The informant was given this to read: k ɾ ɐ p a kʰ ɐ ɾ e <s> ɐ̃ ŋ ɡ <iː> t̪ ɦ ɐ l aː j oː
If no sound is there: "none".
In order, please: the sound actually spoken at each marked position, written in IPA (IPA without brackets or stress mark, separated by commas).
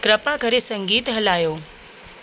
s, iː